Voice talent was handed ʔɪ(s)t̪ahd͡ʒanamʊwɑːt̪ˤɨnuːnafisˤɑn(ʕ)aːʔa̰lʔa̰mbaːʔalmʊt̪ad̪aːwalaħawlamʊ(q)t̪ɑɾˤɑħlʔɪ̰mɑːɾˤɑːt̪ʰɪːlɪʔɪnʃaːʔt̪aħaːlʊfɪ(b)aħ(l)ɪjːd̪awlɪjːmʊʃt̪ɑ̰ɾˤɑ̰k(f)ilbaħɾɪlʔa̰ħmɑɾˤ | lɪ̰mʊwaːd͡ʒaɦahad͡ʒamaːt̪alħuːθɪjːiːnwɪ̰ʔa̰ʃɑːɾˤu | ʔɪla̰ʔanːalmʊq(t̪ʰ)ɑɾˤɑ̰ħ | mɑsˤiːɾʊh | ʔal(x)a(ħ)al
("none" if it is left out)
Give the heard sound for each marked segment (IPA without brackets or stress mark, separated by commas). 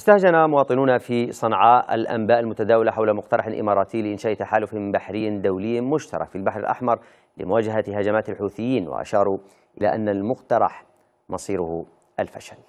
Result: s, ʕ, q, b, ɾ, f, t̪, f, ʃ